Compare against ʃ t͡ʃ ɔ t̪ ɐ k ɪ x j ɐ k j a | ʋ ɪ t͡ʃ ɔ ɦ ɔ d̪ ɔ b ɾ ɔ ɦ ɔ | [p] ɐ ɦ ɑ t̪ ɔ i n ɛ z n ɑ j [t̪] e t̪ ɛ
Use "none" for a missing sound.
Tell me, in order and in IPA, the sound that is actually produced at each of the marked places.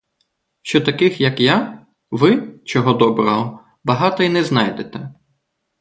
b, d̪

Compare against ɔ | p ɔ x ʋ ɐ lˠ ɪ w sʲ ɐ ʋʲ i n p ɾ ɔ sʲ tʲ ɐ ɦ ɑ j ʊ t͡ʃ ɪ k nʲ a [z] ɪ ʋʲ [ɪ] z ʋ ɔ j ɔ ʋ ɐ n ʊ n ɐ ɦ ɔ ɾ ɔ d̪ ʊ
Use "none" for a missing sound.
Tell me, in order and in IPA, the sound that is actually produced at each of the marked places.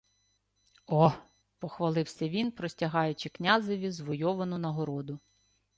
z, i

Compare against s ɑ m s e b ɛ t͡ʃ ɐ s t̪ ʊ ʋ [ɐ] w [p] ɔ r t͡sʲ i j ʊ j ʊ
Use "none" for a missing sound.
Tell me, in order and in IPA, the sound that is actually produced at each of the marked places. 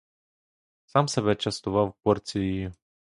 ɑ, p

